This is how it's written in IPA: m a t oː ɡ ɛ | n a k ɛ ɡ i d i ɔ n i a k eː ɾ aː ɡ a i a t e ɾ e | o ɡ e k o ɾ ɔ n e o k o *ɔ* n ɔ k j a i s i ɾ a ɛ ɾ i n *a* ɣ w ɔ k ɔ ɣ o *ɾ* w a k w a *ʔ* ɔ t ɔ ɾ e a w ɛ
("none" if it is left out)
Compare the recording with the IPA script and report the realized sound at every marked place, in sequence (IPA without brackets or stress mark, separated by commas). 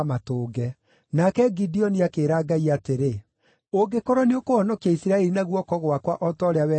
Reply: ɔ, a, none, ʔ